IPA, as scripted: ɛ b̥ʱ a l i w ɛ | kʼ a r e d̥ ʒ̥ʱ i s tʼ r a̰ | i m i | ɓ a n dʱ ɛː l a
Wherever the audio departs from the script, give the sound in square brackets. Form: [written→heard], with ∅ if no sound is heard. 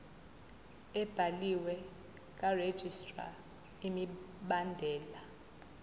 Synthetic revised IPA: ɛ b̥ʱ a l i w ɛ | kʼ a r e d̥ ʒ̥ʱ i s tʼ r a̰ | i m i | ɓ a n dʱ ɛː l a